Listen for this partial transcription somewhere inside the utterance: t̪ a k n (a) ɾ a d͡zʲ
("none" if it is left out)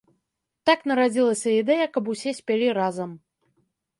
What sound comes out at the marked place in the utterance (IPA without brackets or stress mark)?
ɐ